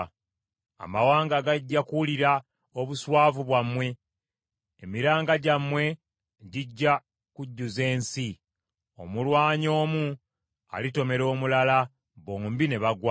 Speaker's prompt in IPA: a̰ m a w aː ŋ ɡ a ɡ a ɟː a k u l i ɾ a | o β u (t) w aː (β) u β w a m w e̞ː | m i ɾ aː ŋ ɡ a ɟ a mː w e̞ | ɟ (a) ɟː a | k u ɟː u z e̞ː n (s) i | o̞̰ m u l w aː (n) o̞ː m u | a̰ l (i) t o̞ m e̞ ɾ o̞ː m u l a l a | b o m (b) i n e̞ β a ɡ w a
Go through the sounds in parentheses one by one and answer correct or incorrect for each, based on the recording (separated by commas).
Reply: incorrect, incorrect, incorrect, correct, incorrect, correct, correct